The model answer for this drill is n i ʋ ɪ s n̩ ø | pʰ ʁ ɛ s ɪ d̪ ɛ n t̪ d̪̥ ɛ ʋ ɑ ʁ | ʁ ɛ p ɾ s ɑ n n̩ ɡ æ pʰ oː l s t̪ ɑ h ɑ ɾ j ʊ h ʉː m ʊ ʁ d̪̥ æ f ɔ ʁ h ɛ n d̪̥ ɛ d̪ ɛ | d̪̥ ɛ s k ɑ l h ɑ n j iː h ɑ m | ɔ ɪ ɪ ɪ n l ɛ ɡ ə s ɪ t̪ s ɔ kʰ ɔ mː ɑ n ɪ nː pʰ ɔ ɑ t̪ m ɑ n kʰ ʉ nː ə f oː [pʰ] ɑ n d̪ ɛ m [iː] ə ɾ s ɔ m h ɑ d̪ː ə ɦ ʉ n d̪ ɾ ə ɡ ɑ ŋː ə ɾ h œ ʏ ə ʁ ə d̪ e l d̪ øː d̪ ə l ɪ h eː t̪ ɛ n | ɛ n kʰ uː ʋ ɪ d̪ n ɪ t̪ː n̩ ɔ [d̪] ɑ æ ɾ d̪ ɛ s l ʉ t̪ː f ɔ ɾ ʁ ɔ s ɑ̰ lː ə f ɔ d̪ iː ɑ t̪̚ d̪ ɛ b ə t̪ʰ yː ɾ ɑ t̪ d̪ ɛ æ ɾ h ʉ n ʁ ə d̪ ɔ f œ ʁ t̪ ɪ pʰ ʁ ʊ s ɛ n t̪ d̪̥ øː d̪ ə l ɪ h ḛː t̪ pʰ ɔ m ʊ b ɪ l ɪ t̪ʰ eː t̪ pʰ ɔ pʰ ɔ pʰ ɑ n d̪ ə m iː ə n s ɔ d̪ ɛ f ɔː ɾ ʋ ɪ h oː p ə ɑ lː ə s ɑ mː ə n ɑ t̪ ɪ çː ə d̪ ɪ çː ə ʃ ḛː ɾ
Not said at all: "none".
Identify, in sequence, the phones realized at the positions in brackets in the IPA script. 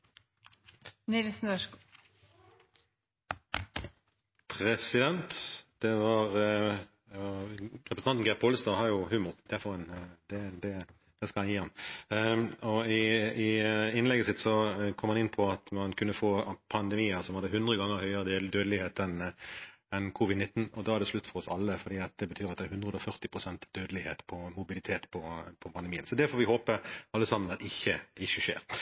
pʰ, iː, d̪

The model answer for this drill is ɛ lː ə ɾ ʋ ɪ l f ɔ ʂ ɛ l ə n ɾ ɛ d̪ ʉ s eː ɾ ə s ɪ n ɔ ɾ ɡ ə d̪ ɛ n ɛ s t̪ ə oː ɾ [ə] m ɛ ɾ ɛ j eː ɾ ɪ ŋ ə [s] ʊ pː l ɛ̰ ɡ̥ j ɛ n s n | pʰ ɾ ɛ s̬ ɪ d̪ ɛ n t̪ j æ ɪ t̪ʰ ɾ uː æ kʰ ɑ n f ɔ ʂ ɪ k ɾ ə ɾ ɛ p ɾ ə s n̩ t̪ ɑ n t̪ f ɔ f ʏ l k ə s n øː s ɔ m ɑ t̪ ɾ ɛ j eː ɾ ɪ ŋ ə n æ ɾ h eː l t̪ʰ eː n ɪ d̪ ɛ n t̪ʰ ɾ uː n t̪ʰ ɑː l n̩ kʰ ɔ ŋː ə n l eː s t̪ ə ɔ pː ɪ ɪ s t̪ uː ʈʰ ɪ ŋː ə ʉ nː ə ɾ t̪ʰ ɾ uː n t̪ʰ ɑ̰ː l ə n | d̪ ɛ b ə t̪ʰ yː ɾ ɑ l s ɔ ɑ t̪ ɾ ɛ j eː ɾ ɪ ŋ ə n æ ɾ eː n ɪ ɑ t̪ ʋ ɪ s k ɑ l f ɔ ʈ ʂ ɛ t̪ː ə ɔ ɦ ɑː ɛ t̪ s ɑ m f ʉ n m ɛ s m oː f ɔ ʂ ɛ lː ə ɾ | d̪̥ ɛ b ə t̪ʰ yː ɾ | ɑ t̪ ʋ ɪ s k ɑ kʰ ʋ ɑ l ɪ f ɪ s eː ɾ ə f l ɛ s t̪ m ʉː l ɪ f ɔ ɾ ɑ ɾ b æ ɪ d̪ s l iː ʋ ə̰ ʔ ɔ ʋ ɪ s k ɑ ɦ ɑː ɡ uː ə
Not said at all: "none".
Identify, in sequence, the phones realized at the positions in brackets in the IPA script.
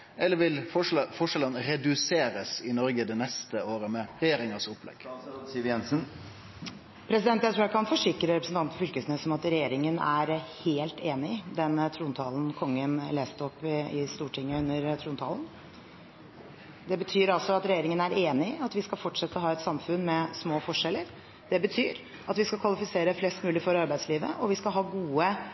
ə, s

